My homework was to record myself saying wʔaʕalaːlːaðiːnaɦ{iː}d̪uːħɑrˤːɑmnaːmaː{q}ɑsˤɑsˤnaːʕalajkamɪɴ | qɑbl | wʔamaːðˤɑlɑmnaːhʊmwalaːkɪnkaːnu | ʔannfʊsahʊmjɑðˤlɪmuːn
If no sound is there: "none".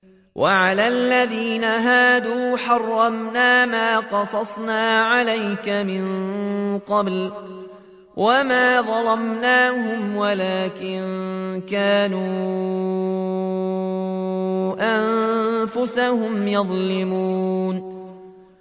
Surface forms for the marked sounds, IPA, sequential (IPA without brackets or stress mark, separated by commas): aː, q